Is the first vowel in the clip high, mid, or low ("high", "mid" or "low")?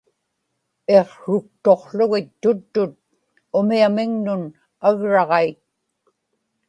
mid